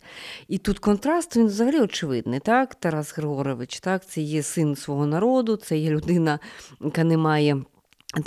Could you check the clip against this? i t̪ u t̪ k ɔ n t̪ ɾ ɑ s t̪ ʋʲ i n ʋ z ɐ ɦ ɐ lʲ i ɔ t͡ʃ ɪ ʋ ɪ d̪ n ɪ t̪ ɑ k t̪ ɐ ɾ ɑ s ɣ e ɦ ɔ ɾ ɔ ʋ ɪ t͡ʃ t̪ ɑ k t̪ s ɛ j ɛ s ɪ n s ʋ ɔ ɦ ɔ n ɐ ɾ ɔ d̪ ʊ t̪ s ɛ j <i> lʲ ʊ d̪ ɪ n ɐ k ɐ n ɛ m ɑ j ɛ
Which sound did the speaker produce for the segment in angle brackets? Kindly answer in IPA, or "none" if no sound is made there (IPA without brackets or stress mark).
ɛ